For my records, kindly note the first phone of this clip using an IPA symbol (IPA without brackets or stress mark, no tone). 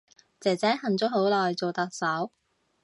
t͡s